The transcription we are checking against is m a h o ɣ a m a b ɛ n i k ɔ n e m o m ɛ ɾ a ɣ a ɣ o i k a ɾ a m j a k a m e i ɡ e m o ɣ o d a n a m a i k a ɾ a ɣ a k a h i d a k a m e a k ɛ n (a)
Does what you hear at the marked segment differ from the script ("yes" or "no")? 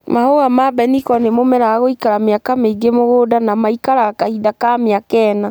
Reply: no